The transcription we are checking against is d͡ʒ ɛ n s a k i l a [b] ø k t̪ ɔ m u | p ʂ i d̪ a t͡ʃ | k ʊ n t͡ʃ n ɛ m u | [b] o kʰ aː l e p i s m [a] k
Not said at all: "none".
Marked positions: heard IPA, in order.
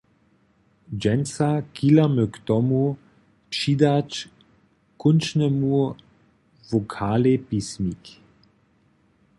m, v, i

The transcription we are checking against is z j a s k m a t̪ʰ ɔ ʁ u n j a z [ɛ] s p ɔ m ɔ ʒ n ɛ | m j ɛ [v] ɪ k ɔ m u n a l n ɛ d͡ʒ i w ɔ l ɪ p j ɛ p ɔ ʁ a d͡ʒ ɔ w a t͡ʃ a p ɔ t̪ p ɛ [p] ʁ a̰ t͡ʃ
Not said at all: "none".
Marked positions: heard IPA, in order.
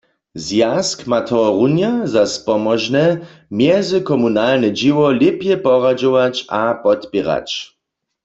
a, z, none

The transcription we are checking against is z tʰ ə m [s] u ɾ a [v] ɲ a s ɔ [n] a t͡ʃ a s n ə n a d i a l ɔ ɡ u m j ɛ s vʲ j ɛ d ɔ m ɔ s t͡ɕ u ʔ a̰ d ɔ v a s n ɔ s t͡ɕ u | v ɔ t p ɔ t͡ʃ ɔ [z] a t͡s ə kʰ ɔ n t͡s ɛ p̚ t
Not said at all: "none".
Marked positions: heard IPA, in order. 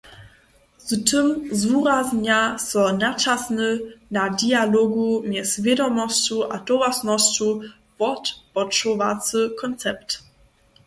z, z, n, v

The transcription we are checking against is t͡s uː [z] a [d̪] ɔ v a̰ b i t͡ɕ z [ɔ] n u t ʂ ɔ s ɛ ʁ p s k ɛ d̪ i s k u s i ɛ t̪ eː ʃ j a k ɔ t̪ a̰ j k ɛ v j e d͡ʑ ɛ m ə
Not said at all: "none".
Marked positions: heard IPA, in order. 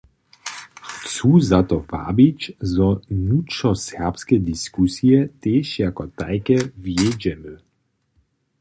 z, t̪, ɔ

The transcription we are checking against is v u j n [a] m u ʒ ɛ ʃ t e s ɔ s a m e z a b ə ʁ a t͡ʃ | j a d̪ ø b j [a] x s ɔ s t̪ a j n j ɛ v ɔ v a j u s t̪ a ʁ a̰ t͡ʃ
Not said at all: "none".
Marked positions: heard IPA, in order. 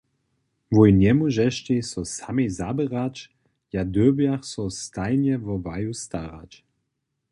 ɛ, a

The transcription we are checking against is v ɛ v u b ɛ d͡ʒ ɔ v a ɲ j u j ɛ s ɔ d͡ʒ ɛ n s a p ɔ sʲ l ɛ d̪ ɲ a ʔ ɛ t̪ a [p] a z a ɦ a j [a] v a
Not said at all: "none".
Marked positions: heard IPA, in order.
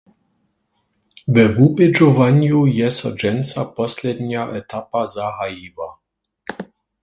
p, i

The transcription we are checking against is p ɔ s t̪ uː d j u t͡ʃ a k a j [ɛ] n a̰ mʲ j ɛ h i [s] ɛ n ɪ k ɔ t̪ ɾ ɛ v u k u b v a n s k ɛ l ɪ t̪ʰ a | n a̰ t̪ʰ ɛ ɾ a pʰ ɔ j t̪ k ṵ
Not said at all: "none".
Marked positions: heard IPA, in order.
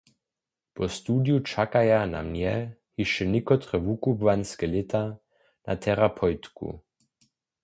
a, ʃ

